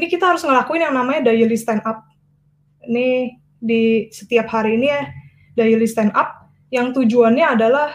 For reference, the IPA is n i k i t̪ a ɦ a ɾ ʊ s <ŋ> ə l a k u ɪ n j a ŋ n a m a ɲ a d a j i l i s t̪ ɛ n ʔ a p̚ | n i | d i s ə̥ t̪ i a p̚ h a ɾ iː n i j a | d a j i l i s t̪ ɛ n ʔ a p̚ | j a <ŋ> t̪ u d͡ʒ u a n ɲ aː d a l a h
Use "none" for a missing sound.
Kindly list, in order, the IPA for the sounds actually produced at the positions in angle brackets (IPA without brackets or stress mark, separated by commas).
ŋ, ŋ